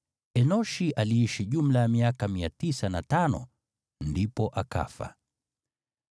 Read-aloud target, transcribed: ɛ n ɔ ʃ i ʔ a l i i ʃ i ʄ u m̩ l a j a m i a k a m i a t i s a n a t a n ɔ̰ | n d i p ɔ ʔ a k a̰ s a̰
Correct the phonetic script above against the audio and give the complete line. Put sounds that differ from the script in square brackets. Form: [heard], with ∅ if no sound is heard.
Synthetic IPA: ɛ n ɔ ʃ i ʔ a l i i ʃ i ʄ u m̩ l a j a m i a k a m i a t i s a n a t a n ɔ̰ | n d i p ɔ ʔ a k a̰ [f] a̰